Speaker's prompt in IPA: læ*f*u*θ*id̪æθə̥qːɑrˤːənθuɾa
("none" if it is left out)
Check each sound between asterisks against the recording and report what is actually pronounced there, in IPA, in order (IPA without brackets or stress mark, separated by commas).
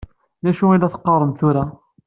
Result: ʃ, none